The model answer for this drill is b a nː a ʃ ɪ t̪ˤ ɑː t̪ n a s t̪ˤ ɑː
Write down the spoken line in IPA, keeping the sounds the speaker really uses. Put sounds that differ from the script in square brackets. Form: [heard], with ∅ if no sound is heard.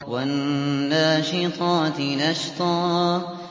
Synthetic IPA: [w] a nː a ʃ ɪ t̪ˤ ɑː t̪ n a [ʃ] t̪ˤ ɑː

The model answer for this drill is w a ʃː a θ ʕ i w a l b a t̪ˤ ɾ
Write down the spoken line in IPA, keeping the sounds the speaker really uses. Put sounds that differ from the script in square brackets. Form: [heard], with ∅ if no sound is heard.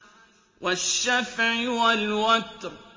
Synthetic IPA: w a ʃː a [f] ʕ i w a l [w] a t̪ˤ ɾ

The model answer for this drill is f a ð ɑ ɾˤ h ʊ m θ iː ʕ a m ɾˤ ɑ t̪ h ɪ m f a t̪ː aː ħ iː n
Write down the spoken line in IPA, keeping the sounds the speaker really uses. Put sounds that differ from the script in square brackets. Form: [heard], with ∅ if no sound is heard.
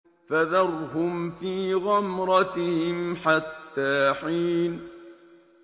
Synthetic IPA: f a ð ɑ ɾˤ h ʊ m [f] iː [ɣ] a m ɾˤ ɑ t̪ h ɪ m [ħ] a t̪ː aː ħ iː n

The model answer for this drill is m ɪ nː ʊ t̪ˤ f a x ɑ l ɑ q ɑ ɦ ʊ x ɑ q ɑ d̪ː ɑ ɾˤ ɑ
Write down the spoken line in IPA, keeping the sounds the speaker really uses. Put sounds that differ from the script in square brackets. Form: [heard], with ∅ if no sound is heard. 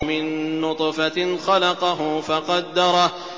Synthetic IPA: m ɪ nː ʊ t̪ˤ f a x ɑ l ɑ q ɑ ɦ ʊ [f] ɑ q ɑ d̪ː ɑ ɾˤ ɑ

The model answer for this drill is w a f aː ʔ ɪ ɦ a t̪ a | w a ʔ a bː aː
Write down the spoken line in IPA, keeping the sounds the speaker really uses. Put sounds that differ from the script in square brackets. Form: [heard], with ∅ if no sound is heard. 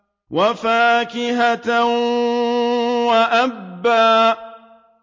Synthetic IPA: w a f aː [k] ɪ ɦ a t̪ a | w a ʔ a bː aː

